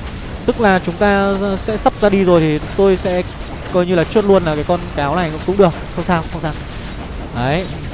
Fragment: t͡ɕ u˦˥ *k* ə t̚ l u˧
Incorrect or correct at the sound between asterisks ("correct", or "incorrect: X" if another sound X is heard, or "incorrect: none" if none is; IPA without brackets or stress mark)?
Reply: incorrect: none